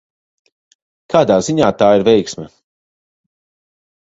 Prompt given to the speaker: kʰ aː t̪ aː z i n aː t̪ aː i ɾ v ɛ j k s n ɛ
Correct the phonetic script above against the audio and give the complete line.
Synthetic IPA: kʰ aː d̪ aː z i ɲ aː t̪ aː i ɾ v ɛ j k s m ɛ